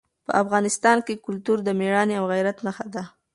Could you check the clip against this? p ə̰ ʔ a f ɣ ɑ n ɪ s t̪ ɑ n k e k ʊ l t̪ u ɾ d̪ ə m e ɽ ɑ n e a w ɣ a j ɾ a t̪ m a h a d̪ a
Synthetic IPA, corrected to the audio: p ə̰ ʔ a f ɣ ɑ n ɪ s t̪ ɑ n k e k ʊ l t̪ u ɾ d̪ ə m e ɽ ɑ n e a w ɣ a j ɾ a t̪ n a x a d̪ a